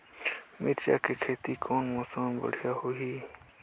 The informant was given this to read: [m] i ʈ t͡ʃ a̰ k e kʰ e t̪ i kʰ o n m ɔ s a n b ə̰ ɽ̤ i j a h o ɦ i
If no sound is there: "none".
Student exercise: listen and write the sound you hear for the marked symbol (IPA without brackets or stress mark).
m